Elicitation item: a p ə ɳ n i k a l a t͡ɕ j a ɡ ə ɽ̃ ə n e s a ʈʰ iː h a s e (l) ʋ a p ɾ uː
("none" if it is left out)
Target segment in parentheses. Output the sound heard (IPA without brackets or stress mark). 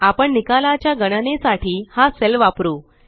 l